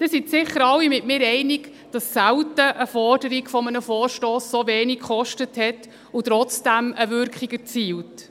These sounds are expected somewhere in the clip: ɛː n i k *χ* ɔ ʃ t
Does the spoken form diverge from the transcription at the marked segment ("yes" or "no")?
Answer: no